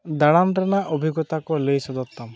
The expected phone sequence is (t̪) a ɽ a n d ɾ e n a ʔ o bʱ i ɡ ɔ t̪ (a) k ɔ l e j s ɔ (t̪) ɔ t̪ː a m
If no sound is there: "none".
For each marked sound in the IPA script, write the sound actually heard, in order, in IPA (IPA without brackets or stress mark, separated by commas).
d̪, a, d̪